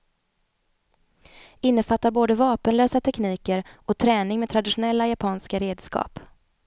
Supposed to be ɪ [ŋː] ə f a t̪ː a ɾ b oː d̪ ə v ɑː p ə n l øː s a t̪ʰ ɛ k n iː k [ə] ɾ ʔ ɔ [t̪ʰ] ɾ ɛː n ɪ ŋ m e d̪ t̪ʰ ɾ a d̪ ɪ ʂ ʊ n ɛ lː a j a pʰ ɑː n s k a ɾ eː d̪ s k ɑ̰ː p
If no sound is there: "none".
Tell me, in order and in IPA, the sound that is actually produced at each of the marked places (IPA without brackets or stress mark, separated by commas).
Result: nː, ə, t̪ʰ